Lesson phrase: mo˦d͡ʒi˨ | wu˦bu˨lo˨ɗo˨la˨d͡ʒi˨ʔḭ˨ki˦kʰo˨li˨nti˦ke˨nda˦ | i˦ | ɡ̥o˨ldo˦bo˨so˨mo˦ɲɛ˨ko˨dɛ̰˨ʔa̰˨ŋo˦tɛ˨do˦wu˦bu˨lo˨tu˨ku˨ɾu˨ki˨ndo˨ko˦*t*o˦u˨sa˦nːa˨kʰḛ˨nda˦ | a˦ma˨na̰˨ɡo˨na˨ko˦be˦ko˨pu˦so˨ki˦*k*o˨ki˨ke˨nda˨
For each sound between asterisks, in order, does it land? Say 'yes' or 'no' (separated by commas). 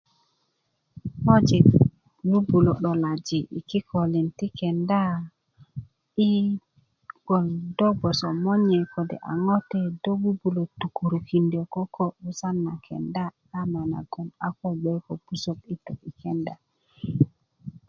no, no